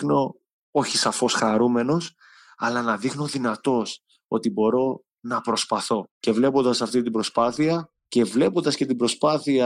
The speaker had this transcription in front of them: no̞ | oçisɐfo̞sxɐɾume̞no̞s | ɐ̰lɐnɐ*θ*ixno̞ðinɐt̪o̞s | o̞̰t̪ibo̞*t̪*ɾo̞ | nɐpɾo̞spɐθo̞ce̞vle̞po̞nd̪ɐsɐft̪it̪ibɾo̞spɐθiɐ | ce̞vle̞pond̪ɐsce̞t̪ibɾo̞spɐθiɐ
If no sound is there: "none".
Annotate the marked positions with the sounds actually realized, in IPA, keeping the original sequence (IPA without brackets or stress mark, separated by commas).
ð, none